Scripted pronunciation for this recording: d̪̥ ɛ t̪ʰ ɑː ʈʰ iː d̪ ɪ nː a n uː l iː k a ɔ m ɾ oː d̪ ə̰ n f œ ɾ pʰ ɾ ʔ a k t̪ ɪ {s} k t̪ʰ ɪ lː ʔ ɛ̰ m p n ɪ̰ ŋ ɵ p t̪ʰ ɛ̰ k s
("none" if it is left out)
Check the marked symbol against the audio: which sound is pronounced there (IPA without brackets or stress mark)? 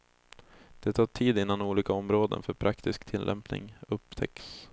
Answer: s